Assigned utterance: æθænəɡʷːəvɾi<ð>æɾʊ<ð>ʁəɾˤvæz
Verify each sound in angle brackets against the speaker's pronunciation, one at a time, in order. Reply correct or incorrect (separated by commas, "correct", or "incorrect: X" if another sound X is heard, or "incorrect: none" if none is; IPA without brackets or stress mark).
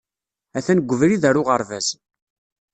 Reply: correct, incorrect: none